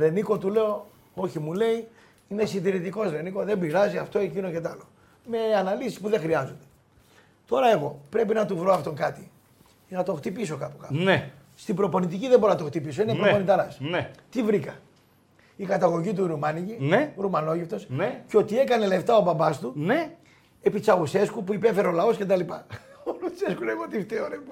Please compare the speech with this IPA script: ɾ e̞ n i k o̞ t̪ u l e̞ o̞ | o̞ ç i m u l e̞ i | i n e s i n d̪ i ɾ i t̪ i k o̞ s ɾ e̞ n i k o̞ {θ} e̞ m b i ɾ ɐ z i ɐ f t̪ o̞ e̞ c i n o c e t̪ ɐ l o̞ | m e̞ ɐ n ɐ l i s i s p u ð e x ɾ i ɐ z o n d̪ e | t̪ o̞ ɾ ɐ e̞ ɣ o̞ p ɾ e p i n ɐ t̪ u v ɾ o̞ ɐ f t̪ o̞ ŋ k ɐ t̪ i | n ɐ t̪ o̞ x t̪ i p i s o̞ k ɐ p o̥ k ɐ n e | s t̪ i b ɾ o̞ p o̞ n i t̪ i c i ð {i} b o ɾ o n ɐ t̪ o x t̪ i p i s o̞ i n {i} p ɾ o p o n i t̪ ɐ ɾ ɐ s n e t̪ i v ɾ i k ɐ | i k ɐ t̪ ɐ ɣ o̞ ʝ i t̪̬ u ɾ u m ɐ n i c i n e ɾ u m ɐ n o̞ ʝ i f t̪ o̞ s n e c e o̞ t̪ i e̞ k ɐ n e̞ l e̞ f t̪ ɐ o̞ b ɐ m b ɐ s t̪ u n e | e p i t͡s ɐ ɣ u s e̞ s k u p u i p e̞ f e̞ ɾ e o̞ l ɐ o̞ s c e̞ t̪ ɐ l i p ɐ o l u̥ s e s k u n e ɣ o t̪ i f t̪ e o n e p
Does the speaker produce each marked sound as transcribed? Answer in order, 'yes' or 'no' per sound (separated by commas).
no, no, no